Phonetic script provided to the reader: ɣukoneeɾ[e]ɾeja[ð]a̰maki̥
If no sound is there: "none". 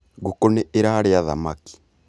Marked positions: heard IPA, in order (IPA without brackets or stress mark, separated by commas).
a, ð